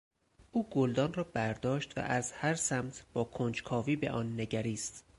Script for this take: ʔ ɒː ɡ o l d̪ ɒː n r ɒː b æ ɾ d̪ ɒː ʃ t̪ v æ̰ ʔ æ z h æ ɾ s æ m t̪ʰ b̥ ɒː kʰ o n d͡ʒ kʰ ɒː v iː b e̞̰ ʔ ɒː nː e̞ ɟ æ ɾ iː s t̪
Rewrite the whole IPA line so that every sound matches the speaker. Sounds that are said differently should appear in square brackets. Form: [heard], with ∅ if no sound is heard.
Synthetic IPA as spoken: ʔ [uː] ɡ o l d̪ ɒː n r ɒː b æ ɾ d̪ ɒː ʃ t̪ v æ̰ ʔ æ z h æ ɾ s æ m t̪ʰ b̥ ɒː kʰ o n d͡ʒ kʰ ɒː v iː b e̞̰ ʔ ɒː nː e̞ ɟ æ ɾ iː s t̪